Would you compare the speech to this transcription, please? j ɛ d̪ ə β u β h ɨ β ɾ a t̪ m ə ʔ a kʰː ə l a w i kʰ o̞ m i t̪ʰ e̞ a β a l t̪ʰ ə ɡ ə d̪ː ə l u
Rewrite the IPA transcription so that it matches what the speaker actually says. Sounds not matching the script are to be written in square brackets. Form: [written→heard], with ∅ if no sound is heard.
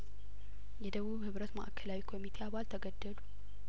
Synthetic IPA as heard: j ɛ d̪ ə β u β h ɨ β ɾ [a→ə] t̪ m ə ʔ a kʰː ə l a w i kʰ o̞ m i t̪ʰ e̞ a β a l t̪ʰ ə ɡ ə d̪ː ə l u